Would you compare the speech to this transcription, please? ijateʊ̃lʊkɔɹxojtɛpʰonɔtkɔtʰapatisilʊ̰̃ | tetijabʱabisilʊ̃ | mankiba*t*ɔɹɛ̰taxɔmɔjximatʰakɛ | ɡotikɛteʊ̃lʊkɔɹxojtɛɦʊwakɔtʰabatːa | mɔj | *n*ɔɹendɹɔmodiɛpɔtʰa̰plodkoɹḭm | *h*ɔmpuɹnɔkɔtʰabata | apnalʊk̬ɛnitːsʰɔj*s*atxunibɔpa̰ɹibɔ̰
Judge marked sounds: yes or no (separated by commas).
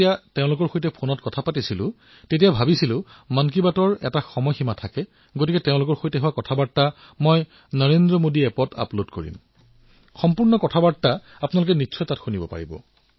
yes, yes, no, no